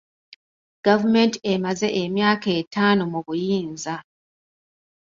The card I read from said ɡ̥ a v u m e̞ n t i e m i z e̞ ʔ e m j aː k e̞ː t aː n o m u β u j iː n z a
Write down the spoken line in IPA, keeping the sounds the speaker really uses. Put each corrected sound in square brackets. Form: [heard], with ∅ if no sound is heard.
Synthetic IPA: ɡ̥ a v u m e̞ n t i e m [a] z e̞ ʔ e m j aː k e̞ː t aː n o m u β u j iː n z a